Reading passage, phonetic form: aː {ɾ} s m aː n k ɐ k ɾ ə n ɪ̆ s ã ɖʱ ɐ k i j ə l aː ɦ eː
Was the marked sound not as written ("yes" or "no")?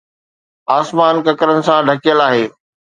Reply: yes